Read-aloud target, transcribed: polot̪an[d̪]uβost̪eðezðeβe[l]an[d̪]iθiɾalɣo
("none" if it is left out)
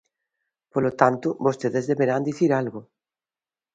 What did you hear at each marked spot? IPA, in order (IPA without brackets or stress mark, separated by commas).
t̪, ɾ, d̪